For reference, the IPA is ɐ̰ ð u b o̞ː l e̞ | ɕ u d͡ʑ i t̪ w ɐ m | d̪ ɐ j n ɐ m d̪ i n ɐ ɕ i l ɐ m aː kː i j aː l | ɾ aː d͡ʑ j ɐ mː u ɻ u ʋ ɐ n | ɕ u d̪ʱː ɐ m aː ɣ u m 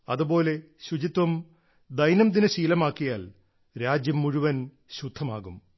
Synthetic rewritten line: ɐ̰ ð u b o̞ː l e̞ | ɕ u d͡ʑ i t̪ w ɐ m | d̪ ɐ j n ɐ m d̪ i n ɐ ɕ iː l ɐ m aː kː i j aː l | ɾ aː d͡ʑ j ɐ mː u ɻ u ʋ ɐ n | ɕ u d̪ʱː ɐ m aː ɣ u m